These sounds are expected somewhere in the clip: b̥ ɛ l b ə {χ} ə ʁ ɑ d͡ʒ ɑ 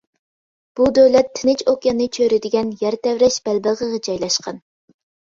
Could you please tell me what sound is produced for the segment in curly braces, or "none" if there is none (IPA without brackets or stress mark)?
ʁ